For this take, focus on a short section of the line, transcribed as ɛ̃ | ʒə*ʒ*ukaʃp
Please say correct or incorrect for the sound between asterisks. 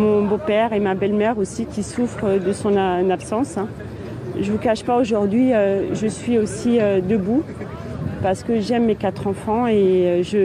incorrect